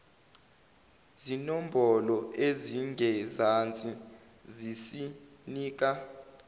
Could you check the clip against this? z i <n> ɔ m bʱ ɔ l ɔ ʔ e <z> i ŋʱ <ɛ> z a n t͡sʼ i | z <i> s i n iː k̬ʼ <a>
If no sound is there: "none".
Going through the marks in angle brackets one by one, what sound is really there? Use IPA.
n, z, ɛ, i, a

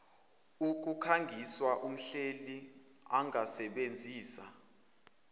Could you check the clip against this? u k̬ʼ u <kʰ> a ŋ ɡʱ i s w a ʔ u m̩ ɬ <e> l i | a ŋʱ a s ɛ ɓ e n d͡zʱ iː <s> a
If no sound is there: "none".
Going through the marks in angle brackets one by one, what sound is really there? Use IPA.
kʰ, e, s

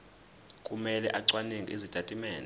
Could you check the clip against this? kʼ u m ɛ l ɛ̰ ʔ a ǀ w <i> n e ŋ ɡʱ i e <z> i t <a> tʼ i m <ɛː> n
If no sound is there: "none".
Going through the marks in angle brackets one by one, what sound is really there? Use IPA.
a, z, a, ɛː

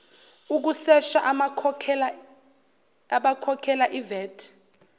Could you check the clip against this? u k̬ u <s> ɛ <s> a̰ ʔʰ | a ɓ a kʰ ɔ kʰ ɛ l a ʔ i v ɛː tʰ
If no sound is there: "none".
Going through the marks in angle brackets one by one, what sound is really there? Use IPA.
s, ʃ

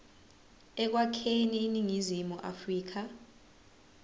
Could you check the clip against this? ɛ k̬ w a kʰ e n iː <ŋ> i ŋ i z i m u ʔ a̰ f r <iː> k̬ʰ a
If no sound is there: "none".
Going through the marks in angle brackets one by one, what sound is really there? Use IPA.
n, iː

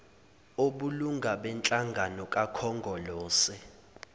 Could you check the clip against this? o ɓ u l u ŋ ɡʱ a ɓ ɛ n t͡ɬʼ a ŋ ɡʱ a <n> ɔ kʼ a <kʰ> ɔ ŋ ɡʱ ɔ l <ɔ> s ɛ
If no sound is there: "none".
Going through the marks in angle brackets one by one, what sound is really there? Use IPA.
n, kʰ, ɔː

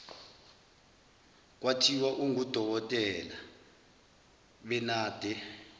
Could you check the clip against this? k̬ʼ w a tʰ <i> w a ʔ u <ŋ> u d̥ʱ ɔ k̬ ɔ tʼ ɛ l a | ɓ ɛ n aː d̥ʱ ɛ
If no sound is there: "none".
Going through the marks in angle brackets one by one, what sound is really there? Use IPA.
i, ŋ

